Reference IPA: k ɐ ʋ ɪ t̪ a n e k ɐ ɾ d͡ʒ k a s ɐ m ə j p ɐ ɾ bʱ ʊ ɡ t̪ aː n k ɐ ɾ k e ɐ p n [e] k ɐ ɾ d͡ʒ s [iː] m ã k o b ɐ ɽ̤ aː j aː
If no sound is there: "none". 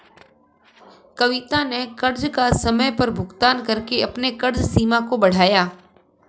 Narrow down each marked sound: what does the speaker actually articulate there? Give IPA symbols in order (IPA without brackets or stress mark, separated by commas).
e, iː